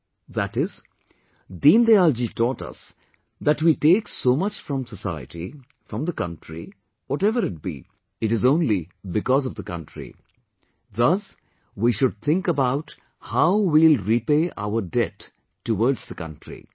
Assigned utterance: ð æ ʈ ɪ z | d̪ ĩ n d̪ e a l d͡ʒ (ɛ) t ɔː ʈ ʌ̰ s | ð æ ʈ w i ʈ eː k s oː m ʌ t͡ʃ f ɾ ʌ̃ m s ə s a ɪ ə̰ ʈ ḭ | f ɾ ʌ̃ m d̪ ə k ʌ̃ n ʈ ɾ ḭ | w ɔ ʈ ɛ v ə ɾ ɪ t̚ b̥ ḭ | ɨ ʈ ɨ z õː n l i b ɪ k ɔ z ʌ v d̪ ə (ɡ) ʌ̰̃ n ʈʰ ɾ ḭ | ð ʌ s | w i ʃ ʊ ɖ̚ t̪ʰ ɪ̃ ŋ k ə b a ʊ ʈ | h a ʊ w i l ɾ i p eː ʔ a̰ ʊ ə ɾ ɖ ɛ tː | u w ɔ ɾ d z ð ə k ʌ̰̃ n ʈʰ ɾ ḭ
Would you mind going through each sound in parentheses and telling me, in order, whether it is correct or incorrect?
incorrect: i, incorrect: k

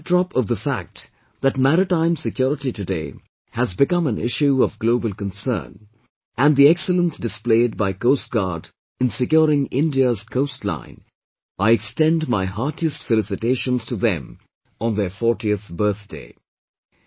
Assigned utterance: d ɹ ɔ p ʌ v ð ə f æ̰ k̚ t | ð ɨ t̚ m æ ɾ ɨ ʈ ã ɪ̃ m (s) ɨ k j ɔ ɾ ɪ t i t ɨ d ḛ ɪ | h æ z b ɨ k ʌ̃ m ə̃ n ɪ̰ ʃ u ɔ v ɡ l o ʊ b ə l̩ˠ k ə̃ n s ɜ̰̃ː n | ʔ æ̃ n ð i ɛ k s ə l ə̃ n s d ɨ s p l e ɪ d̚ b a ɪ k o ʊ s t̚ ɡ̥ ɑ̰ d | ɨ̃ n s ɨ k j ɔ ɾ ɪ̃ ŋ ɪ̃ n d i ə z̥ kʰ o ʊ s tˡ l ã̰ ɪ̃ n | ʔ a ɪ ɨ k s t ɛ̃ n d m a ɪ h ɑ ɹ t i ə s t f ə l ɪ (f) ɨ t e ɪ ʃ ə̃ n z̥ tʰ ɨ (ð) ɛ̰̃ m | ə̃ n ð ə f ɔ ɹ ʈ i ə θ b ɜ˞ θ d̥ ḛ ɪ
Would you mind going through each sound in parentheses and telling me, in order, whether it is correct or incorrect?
correct, incorrect: s, correct

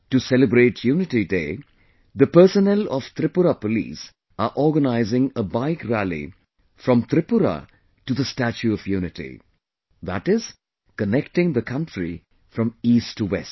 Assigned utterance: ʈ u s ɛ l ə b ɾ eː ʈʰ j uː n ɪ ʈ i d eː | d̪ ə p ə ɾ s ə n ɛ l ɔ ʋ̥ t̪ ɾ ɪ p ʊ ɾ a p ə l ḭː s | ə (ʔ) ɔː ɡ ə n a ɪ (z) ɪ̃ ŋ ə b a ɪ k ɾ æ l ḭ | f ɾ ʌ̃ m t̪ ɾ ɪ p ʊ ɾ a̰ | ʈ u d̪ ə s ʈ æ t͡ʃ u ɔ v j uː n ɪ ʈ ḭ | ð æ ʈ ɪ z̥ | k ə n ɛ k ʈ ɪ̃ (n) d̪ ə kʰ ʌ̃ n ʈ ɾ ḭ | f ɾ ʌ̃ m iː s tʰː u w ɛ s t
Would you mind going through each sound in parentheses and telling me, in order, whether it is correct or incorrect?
correct, correct, incorrect: ŋ

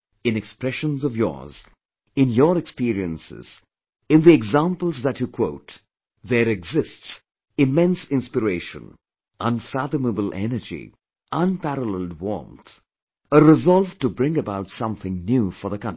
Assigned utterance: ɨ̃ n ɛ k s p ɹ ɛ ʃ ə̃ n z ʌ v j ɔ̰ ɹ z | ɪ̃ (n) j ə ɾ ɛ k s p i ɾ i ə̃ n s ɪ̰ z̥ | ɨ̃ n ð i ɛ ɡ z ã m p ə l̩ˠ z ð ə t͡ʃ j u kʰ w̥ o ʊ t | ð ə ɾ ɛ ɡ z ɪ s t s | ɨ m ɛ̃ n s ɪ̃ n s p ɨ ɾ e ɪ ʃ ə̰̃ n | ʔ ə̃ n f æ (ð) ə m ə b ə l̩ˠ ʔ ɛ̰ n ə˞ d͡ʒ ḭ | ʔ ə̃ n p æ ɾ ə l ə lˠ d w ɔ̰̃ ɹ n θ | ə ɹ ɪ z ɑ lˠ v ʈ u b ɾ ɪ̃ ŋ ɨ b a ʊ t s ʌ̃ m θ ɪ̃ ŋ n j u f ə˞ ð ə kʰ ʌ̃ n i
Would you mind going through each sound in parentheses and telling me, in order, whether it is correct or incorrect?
correct, correct

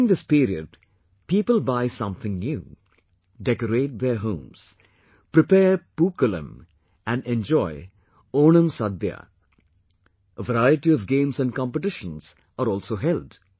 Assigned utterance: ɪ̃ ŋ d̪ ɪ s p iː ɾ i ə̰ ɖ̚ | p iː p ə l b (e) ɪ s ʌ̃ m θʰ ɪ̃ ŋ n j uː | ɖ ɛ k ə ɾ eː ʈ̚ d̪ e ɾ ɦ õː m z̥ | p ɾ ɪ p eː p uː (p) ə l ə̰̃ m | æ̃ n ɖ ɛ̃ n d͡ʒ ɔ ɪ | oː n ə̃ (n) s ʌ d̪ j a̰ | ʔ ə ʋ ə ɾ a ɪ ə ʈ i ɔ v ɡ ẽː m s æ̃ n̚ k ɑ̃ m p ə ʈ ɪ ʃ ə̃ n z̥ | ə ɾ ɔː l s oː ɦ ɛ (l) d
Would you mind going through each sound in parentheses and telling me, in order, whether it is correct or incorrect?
incorrect: a, incorrect: k, incorrect: m, correct

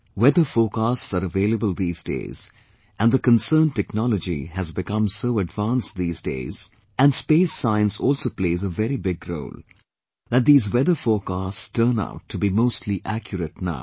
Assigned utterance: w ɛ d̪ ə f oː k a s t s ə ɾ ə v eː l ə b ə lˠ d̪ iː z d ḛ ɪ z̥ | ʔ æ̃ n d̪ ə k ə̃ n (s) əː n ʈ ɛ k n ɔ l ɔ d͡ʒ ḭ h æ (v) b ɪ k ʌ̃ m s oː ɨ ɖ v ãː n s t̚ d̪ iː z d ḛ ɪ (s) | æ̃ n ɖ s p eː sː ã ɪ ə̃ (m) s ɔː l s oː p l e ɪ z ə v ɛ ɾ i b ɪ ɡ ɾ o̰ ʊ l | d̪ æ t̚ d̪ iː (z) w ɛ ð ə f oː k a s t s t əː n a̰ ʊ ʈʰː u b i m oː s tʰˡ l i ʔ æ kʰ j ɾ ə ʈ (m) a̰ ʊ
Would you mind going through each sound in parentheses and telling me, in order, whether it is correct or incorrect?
correct, incorrect: z, incorrect: z, incorrect: n, correct, incorrect: n

